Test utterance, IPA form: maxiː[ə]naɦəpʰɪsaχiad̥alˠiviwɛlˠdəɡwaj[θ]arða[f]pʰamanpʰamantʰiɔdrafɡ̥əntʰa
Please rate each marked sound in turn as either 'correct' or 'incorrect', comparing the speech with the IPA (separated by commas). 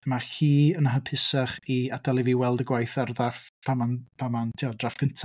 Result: correct, correct, correct